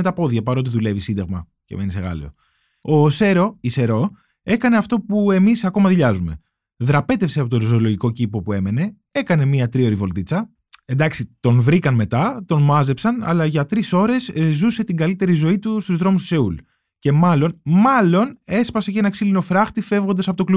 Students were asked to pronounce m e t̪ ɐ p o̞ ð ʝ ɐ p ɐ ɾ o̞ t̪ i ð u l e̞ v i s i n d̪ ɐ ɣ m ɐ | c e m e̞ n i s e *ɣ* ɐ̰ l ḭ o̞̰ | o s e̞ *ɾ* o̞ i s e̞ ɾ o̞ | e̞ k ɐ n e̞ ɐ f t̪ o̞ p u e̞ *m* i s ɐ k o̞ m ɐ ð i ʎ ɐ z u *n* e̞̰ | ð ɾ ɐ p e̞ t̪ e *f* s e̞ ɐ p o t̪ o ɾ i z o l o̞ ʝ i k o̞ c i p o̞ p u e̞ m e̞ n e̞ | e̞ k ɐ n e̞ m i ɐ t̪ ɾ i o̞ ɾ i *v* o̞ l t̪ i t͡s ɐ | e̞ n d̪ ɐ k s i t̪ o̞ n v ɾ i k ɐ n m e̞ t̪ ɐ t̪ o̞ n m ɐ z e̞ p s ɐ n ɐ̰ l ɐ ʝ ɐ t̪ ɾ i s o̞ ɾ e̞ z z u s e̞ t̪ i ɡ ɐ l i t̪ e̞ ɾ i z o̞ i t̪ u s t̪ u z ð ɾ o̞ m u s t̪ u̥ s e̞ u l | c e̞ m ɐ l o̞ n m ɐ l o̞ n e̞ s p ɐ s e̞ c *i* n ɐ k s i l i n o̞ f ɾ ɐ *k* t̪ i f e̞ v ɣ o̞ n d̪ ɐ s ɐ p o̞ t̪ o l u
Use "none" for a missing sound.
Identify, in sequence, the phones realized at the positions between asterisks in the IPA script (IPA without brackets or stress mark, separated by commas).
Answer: ɣ, ɾ, m, m, f, v, e, x